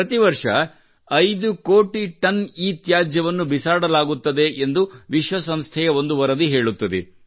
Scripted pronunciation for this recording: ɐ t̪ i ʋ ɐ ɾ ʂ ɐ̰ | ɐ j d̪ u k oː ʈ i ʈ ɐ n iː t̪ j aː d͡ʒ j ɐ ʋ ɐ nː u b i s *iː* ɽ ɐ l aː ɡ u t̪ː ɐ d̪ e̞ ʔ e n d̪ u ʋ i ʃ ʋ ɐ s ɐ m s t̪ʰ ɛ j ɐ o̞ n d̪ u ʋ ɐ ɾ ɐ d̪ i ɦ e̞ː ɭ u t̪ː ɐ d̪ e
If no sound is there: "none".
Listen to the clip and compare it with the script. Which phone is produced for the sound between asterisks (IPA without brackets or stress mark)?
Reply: aː